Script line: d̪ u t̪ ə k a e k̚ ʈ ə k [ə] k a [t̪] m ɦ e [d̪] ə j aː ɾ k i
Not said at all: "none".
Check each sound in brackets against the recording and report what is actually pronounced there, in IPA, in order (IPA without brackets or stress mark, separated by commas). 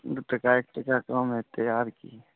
a, none, t̪